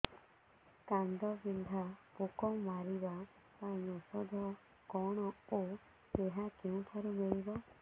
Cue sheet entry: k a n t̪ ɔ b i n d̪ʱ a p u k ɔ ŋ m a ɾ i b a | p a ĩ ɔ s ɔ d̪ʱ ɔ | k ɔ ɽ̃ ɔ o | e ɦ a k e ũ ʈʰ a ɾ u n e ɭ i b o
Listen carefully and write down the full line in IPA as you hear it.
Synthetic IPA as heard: k a n d̪ ɔ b i n d̪ʱ a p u k ɔ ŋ m a ɾ i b a | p a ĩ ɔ s ɔ d̪ʱ ɔ | k ɔ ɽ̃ ɔ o | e ɦ a k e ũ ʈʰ a ɾ u m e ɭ i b ɔ